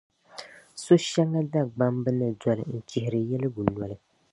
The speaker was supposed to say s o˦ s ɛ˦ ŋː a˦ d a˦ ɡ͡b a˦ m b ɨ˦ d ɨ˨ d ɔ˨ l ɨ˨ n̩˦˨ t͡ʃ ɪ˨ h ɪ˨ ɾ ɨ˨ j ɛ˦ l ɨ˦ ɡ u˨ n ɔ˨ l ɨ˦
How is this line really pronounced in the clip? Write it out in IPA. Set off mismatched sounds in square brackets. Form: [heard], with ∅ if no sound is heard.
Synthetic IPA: s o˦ [ʃ] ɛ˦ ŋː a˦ d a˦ ɡ͡b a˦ m b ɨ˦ [n] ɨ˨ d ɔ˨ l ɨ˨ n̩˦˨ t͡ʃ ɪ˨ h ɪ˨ ɾ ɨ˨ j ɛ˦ l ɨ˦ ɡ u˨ n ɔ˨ l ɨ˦